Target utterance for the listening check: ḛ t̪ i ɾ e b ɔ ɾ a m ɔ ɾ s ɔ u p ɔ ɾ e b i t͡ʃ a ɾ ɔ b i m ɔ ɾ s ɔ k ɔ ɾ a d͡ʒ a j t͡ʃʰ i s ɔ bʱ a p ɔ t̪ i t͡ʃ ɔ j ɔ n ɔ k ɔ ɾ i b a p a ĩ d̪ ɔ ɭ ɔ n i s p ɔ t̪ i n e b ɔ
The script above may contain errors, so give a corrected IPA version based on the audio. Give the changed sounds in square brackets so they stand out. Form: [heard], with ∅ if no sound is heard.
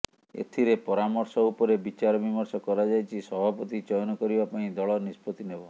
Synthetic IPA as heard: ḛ [t̪ʰ] i ɾ e [p] ɔ ɾ a m ɔ ɾ s ɔ u p ɔ ɾ e b i t͡ʃ a ɾ ɔ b i m ɔ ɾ s ɔ k ɔ ɾ a d͡ʒ a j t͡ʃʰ i s ɔ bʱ a p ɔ t̪ i t͡ʃ ɔ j ɔ n ɔ k ɔ ɾ i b a p a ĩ d̪ ɔ ɭ ɔ n i s p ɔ t̪ i n e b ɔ